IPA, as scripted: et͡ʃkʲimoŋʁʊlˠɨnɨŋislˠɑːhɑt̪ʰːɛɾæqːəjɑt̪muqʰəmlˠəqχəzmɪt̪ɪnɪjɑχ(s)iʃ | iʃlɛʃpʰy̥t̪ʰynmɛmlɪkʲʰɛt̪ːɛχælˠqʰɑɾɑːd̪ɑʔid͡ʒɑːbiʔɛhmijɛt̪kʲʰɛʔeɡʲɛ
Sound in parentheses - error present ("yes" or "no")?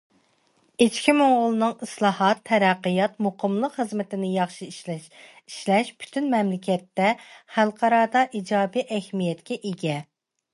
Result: yes